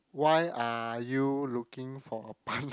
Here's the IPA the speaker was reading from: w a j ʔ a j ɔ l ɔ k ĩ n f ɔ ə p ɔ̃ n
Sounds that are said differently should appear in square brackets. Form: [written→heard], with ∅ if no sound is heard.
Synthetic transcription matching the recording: w a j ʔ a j [ɔ→u] l [ɔ→u] k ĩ [n→ŋ] f ɔ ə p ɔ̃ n